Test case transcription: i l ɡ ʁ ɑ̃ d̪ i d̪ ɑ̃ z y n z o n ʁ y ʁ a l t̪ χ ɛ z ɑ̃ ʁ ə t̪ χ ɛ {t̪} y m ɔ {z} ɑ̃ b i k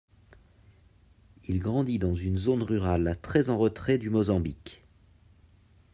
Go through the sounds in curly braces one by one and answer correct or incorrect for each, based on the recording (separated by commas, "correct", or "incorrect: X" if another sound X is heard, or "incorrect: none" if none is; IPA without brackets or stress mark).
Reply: incorrect: d̪, correct